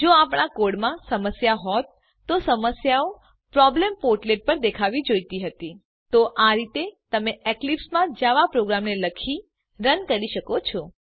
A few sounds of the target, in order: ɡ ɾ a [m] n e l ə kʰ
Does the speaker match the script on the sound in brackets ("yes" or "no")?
yes